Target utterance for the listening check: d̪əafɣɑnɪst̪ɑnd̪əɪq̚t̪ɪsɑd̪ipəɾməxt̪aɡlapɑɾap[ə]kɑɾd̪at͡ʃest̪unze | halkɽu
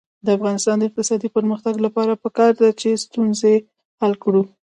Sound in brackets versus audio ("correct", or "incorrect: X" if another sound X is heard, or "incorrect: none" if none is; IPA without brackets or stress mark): correct